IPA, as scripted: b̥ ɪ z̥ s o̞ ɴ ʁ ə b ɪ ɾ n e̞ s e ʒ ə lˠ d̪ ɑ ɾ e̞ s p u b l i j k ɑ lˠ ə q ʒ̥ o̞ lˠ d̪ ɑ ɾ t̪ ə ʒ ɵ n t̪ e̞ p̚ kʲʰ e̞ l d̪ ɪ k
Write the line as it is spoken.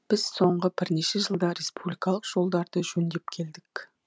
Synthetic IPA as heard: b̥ ɪ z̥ s o̞ ɴ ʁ ə b ɪ ɾ n e̞ ʃ e ʒ ə lˠ d̪ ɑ ɾ e̞ s p u b l i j k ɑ lˠ ə q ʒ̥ o̞ lˠ d̪ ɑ ɾ d̪ ə ʒ ɵ n d̪ e̞ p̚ kʲʰ e̞ l d̪ ɪ k